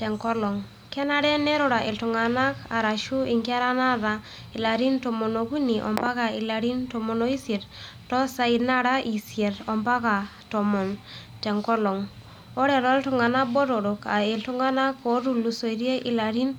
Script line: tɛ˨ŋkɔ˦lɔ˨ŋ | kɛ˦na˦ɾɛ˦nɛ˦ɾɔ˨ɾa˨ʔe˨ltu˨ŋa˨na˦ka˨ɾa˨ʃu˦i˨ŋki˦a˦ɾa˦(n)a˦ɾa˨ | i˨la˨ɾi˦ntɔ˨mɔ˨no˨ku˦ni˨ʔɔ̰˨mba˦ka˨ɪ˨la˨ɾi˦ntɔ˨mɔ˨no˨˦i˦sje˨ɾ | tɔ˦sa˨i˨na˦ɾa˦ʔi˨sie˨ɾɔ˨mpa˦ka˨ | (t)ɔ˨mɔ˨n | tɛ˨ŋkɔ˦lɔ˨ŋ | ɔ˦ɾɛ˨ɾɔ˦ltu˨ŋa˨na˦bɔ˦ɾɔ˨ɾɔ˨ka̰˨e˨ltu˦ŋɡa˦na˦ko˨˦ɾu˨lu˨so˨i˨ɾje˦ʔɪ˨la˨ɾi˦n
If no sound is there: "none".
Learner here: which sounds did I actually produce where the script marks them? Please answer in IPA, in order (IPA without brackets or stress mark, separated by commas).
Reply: n, t